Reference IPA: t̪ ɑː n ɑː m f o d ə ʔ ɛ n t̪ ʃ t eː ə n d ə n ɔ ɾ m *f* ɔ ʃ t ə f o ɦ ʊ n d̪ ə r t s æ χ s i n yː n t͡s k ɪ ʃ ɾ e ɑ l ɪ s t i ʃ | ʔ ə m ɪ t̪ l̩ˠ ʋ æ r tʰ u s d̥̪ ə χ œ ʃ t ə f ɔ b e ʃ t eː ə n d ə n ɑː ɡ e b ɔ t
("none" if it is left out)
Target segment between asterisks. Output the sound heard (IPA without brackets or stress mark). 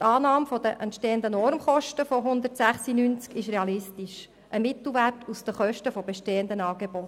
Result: χ